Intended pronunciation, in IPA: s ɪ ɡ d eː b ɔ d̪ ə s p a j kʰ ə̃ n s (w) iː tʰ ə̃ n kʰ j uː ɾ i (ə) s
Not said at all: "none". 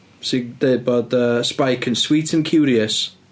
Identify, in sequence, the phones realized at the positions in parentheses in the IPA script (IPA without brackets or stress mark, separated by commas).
w, ə